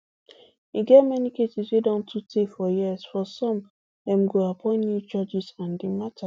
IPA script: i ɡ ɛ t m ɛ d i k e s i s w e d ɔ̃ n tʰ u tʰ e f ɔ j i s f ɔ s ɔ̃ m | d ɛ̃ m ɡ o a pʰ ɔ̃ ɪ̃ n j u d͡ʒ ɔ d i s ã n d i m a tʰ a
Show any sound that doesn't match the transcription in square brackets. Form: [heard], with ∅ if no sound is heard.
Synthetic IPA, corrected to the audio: i ɡ ɛ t m ɛ [n] i k e s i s w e d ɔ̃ n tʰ u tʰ e f ɔ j i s f ɔ s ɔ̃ m | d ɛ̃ m ɡ o a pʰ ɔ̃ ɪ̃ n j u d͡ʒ ɔ [d͡ʒ] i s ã n d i m a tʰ a